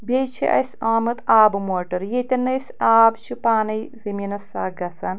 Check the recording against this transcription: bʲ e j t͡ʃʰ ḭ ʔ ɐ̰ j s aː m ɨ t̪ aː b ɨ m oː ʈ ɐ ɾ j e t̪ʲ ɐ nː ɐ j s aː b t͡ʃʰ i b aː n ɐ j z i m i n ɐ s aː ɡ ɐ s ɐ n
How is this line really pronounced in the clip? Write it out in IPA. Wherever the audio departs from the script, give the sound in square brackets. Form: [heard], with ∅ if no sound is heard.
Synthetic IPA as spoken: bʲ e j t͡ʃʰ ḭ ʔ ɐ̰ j s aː m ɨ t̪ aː b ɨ m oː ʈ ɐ ɾ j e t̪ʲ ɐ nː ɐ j s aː b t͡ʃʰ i [p] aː n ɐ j z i m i n ɐ s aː ɡ ɐ s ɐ n